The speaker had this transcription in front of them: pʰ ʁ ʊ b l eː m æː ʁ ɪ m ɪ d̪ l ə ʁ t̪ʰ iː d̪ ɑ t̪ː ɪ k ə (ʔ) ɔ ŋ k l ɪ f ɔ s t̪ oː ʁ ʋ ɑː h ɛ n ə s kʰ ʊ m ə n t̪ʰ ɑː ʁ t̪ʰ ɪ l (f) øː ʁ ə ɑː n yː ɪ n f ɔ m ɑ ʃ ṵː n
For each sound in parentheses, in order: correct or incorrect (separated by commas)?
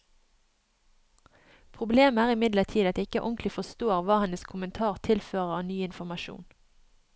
correct, correct